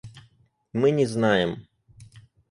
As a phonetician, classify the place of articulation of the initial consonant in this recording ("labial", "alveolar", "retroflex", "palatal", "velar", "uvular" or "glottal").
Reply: labial